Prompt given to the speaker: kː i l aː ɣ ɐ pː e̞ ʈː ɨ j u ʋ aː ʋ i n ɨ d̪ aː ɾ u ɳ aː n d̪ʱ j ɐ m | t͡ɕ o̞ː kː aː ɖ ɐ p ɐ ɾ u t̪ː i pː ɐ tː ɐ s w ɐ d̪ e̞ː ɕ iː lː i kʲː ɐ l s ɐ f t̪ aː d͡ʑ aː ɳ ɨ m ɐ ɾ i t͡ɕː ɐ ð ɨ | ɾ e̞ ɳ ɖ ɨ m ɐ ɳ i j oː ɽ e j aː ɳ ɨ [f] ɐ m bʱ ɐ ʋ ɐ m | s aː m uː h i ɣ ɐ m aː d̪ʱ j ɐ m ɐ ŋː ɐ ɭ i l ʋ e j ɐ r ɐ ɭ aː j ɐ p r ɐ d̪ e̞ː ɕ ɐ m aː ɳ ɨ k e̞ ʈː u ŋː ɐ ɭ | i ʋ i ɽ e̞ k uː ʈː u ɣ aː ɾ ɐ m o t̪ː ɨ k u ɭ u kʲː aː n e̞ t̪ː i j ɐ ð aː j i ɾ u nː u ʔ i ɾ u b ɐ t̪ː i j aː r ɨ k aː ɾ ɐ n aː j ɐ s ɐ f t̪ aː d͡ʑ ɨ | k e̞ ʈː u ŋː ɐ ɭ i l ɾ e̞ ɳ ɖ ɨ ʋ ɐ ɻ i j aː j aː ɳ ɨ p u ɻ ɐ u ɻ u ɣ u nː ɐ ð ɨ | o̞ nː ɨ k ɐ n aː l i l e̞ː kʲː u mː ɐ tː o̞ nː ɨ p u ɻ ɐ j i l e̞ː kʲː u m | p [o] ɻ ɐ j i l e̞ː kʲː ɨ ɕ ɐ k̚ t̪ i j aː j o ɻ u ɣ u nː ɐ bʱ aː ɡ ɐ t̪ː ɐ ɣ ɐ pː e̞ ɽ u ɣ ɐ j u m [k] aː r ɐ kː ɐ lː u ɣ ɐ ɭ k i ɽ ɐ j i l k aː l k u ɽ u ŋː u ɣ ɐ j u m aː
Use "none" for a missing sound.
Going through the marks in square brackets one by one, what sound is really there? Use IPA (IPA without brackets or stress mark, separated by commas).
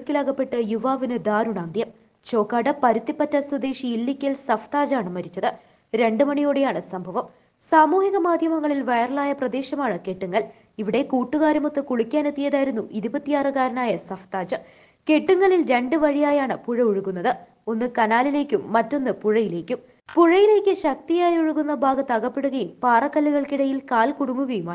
s, u, p